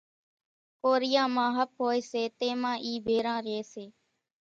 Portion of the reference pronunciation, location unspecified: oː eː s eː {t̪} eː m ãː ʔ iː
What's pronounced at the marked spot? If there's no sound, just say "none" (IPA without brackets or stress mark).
t̪